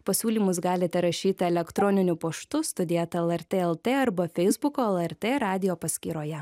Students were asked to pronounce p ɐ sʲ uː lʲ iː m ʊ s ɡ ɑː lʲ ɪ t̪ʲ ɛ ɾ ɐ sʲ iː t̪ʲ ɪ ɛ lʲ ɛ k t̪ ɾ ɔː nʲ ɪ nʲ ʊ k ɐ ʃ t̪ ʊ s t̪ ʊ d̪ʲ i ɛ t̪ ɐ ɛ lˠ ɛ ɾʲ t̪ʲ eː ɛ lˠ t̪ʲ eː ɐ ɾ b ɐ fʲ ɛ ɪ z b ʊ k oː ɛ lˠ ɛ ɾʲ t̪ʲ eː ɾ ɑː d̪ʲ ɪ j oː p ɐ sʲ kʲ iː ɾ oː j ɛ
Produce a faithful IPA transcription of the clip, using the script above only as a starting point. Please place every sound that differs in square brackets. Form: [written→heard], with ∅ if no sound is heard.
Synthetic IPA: p ɐ sʲ uː lʲ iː m ʊ s ɡ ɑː lʲ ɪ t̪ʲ ɛ ɾ ɐ [sʲ→ʃʲ] iː t̪ʲ ɪ ɛ lʲ ɛ k t̪ ɾ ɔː nʲ ɪ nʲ ʊ [k→p] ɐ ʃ t̪ ʊ s t̪ ʊ d̪ʲ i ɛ t̪ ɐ ɛ lˠ ɛ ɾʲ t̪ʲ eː ɛ lˠ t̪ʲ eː ɐ ɾ b ɐ fʲ ɛ ɪ z b ʊ k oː ɛ lˠ ɛ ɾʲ t̪ʲ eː ɾ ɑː d̪ʲ ɪ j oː p ɐ sʲ kʲ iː ɾ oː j ɛ